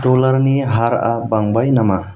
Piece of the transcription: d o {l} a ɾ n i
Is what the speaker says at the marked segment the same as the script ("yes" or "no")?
yes